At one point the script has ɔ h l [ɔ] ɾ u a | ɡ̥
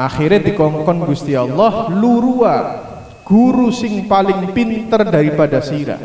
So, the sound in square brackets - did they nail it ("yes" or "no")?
no